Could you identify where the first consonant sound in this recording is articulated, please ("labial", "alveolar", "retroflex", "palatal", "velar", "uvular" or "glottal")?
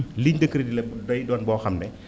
alveolar